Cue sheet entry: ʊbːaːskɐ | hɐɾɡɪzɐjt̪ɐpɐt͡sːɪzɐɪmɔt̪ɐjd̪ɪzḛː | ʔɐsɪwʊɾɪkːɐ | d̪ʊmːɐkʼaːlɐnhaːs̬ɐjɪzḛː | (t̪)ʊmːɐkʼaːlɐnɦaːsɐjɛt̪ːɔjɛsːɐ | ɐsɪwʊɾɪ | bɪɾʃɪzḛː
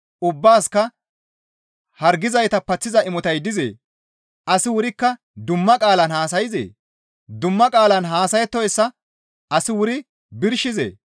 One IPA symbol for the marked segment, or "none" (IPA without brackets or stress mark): d̪